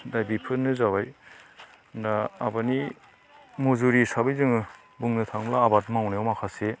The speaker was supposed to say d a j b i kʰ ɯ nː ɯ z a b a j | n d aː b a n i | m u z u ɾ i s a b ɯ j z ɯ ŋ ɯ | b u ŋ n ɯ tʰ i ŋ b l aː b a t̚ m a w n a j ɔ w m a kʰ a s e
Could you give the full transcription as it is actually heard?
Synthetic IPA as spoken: d a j b i pʰ ɯ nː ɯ z a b a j | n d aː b a n i | m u z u ɾ i s a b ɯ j z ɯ ŋ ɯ | b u ŋ n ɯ tʰ a ŋ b l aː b a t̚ m a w n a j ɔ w m a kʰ a s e